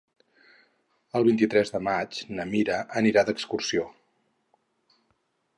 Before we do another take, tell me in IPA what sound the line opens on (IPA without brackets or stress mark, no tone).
ə